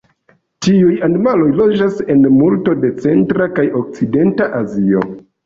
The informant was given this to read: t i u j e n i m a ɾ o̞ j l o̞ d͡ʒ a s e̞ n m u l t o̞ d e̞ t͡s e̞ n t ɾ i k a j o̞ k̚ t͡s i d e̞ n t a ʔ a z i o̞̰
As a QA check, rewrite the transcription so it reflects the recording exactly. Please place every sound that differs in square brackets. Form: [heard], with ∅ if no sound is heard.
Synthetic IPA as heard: t i u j [a] n i m a [l] o̞ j l o̞ d͡ʒ a s e̞ n m u l t o̞ d e̞ t͡s e̞ n t ɾ [a] k a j o̞ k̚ t͡s i d e̞ n t a ʔ a z i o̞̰